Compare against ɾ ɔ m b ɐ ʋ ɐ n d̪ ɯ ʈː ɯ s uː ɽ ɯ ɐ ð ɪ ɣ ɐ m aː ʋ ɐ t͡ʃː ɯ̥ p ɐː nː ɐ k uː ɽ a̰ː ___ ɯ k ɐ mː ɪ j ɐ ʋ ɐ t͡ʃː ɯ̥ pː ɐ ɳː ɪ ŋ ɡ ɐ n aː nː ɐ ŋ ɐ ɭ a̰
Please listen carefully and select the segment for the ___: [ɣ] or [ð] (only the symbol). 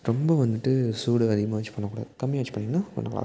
ð